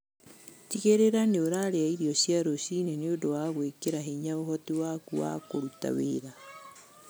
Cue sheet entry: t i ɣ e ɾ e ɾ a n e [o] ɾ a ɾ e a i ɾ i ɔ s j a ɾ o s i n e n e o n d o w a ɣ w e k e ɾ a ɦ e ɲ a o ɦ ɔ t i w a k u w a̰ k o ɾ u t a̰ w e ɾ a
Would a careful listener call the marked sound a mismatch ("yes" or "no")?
no